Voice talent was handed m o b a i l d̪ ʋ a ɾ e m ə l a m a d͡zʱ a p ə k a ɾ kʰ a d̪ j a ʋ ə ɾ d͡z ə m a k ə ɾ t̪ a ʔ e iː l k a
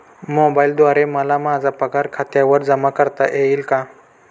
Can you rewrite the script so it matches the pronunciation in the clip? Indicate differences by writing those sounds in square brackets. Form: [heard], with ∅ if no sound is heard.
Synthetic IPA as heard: m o b a i l d̪ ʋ a ɾ e m ə l a m a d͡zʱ a p ə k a ɾ kʰ a [t̪] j a ʋ ə ɾ d͡z ə m a k ə ɾ t̪ a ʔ e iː l k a